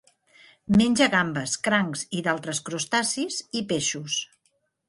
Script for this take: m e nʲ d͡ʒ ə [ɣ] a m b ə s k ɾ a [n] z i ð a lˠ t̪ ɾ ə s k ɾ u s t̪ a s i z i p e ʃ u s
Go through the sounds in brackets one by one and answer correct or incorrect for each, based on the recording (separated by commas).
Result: correct, incorrect